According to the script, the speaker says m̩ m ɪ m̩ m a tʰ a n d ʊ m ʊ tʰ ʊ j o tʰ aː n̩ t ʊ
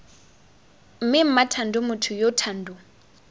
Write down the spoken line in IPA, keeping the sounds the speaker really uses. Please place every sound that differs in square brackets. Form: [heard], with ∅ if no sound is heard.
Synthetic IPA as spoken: m̩ m ɪ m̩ m a tʰ a n d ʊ m ʊ tʰ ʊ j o tʰ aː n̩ [d] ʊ

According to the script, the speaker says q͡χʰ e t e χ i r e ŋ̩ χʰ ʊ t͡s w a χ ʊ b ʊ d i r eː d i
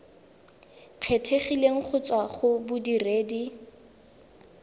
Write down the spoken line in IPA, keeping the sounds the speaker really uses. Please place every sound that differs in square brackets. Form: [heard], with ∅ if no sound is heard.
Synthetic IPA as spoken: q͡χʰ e [tʰ] e χ i [l] e ŋ̩ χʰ ʊ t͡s w a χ ʊ b ʊ d i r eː d i

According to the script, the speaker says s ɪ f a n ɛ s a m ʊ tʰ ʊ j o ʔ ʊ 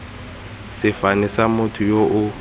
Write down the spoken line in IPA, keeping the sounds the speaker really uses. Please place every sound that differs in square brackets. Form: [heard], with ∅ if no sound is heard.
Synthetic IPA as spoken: s ɪ f a n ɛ s a m ʊ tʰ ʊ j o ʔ ʊ

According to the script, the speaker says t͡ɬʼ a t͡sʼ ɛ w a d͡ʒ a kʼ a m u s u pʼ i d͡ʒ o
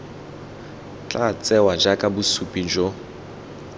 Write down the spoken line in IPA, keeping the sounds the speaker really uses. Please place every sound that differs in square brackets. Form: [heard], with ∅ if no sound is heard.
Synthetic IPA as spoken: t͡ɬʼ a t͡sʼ ɛ w a d͡ʒ a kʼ a [b] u s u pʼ i d͡ʒ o

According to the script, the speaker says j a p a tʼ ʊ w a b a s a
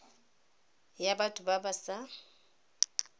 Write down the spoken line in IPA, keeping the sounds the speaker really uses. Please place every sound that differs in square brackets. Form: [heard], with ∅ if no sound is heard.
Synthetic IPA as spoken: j a [b] a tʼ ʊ [b] a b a s a

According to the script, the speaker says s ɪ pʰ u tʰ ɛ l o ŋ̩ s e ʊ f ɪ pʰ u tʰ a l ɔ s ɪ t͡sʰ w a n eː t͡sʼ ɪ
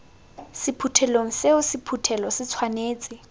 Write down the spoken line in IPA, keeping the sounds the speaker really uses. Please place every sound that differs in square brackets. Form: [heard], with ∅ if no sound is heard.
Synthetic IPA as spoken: s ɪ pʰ u tʰ ɛ l o ŋ̩ s e ʊ [s] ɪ pʰ u tʰ [ɛ] l ɔ s ɪ t͡sʰ w a n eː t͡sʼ ɪ

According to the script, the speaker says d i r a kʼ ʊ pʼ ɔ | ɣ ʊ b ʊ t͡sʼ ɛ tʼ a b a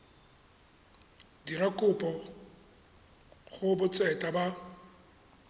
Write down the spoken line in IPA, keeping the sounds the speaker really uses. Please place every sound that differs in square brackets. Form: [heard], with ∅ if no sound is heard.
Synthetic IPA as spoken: d i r a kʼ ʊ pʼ ɔ | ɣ ʊ b ʊ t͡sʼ ɛ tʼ a b a

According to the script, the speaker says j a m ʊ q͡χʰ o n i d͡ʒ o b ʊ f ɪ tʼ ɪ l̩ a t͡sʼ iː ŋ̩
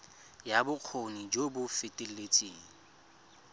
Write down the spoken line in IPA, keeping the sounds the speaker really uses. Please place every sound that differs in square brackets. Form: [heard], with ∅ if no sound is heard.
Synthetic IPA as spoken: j a [b] ʊ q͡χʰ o n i d͡ʒ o b ʊ f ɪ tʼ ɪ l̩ [e] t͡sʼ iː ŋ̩

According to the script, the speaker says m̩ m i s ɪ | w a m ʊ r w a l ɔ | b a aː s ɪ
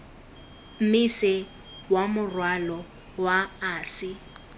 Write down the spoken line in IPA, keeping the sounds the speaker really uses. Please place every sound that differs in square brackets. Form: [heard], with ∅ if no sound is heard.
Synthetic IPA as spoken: m̩ m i s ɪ | w a m ʊ r w a l ɔ | [w] a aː s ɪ

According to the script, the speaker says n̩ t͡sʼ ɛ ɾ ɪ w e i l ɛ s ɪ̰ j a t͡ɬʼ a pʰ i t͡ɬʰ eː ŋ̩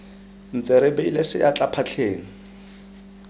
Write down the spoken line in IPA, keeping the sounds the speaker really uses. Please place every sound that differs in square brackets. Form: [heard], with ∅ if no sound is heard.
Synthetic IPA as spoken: n̩ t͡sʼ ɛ ɾ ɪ [b] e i l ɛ s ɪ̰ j a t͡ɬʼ a pʰ [a] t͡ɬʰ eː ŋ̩

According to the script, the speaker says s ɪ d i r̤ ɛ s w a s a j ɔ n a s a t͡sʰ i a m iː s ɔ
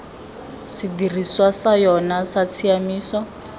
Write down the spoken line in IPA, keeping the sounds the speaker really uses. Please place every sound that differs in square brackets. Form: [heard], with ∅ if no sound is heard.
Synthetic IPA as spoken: s [i] d i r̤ [i] s w a s a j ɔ n a s a t͡sʰ i a m iː s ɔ

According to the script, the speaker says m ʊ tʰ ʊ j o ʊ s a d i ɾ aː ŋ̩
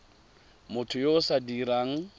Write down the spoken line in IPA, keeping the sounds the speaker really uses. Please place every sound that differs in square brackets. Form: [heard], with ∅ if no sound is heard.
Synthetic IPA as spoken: m ʊ tʰ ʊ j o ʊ s a d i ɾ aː ŋ̩

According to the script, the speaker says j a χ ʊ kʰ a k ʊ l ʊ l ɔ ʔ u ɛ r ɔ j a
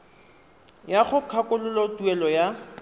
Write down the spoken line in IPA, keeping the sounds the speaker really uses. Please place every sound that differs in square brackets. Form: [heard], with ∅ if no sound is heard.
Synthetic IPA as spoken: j a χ ʊ kʰ a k ʊ l ʊ l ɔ [t] u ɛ [l] ɔ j a

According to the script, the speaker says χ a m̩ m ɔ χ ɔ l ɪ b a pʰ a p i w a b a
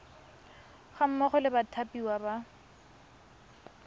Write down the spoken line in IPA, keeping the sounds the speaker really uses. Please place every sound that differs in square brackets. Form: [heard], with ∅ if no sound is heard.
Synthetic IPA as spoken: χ a m̩ m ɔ χ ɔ l ɪ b a [tʰ] a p i w a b a

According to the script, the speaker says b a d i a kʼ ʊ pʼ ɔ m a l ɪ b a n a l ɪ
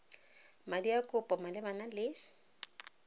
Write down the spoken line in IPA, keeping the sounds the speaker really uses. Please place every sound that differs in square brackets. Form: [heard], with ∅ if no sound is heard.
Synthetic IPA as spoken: [m] a d i a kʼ ʊ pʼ ɔ m a l ɪ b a n a l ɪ

